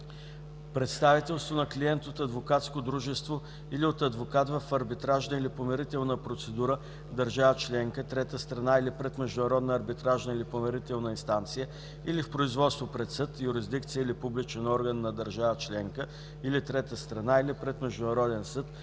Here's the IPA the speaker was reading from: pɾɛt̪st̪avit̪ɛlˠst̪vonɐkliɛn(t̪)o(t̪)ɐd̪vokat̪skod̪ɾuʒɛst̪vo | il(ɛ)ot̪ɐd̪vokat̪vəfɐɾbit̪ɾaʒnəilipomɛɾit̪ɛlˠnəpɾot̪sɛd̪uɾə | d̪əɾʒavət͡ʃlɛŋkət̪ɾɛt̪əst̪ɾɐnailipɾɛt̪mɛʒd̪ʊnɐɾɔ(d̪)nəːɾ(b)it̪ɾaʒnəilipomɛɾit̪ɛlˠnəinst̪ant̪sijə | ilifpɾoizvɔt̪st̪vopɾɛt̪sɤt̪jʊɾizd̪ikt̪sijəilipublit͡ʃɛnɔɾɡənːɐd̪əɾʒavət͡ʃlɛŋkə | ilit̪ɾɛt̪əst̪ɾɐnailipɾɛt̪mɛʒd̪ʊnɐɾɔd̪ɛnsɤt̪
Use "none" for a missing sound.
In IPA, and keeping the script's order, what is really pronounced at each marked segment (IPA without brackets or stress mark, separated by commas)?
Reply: t̪, t̪, i, d̪, b